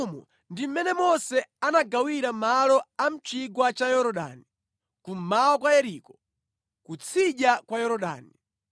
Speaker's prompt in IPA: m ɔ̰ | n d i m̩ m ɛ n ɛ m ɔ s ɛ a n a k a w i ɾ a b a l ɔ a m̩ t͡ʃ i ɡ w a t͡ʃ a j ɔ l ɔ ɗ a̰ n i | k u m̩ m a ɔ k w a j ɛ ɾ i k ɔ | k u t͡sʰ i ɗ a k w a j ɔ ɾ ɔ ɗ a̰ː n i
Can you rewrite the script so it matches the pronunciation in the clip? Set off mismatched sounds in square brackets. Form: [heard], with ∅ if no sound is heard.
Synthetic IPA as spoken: m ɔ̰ | n d i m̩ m ɛ n ɛ m ɔ s ɛ a n a [ɡ] a w i ɾ a [m] a l ɔ a m̩ t͡ʃ i ɡ w a t͡ʃ a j ɔ [ɾ] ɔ ɗ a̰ n i | k u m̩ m a ɔ k w a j ɛ ɾ i k ɔ | k u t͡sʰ i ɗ a k w a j ɔ ɾ ɔ ɗ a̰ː n i